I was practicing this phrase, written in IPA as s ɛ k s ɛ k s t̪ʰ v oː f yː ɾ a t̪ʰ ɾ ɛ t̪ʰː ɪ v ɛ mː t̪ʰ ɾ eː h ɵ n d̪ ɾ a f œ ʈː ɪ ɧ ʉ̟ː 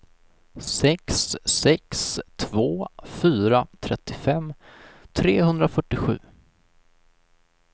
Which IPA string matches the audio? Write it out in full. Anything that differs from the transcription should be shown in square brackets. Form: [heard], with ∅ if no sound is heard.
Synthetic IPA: s ɛ k s ɛ k s t̪ʰ v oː f yː ɾ a t̪ʰ ɾ ɛ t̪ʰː ɪ [f] ɛ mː t̪ʰ ɾ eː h ɵ n d̪ ɾ a f œ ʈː ɪ ɧ ʉ̟ː